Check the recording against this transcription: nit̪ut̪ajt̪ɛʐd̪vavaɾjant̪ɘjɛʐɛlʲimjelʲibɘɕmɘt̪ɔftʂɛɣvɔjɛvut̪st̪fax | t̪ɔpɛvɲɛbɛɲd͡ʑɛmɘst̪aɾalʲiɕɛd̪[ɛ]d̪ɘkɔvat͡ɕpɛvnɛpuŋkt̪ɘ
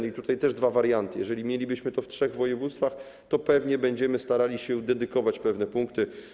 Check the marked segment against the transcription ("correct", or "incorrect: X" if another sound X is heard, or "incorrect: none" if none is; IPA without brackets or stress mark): correct